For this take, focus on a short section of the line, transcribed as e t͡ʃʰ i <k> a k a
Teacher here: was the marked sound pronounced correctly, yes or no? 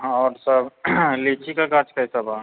yes